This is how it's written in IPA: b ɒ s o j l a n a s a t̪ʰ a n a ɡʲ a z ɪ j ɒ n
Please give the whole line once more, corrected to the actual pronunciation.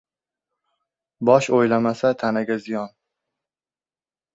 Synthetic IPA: b ɒ ʃ o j l a m a s a t̪ʰ a n a ɡʲ a z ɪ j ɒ n